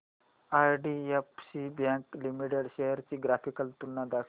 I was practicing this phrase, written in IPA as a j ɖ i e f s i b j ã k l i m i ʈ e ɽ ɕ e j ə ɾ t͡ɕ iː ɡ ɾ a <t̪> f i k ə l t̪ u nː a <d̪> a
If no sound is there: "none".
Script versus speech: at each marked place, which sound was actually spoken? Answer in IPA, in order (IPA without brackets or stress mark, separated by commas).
none, d̪